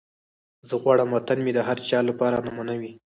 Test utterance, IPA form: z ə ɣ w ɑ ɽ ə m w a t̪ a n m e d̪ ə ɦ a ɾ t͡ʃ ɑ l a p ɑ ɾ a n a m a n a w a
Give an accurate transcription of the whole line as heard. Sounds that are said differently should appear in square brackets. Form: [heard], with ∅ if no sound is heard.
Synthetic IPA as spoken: z ə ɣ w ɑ ɽ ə m w a t̪ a n m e d̪ ə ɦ a ɾ t͡ʃ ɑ l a p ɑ ɾ a n a m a n a w [i]